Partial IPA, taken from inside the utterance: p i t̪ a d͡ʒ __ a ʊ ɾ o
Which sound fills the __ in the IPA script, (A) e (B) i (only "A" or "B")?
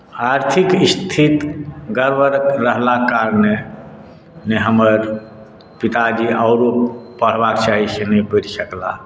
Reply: B